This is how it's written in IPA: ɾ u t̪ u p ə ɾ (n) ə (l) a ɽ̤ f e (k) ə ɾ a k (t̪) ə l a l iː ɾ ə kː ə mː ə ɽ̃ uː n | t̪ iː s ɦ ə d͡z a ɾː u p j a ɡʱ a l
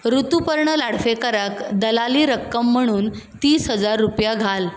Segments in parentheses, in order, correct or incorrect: incorrect: ɳ, correct, correct, incorrect: d̪

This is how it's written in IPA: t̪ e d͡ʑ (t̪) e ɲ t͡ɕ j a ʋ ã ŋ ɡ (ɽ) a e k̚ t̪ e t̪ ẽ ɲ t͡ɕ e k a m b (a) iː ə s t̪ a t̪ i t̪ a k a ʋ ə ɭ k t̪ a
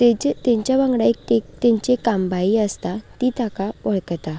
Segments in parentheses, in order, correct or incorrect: correct, correct, correct

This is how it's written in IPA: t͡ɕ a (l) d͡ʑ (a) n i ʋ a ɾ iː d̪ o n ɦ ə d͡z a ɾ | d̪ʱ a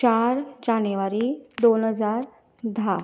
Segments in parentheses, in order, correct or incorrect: incorrect: ɾ, correct

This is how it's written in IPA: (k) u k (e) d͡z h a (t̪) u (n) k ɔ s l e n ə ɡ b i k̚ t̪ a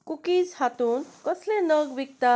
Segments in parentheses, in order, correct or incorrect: correct, incorrect: i, correct, correct

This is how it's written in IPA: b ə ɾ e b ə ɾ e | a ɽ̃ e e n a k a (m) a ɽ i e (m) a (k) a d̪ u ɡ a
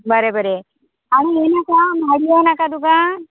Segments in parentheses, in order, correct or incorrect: correct, incorrect: n, correct

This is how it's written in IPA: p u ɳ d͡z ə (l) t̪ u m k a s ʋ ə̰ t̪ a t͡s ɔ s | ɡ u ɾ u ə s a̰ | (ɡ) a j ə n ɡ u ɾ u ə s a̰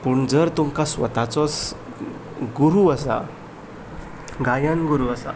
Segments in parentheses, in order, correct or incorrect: incorrect: ɾ, correct

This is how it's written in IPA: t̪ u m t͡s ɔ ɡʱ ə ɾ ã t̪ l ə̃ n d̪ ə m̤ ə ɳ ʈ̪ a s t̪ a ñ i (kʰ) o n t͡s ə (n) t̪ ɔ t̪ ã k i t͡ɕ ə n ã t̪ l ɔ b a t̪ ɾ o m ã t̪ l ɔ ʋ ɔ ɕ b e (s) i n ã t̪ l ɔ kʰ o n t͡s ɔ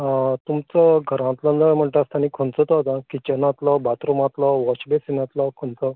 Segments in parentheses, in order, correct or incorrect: correct, incorrect: none, correct

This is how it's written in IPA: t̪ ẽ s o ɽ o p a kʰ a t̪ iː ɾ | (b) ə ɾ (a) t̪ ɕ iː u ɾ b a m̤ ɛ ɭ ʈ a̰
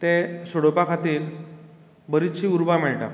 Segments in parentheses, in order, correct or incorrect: correct, incorrect: i

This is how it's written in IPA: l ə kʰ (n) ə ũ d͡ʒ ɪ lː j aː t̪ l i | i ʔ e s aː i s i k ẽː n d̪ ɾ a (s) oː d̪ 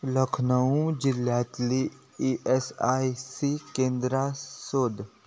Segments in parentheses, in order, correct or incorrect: correct, correct

